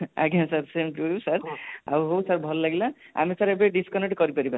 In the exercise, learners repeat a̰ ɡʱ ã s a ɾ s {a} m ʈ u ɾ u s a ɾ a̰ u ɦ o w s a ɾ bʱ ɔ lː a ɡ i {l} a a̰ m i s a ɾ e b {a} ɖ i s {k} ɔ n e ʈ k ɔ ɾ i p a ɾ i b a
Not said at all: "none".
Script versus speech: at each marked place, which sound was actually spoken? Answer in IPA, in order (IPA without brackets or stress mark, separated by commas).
e, l, e, k